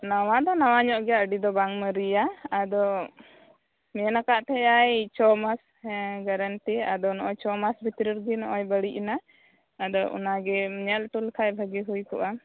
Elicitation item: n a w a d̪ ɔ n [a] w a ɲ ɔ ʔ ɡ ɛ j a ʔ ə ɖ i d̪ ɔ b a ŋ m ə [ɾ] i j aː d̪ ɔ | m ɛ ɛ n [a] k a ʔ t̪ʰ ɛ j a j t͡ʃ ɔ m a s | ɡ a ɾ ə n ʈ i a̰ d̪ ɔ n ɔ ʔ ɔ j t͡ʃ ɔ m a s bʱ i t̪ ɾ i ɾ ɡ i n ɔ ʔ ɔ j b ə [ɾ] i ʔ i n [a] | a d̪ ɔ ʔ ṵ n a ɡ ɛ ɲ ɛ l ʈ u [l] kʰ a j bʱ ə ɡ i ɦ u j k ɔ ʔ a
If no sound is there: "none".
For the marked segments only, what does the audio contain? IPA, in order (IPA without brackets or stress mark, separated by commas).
a, ɾ, a, ɽ, a, l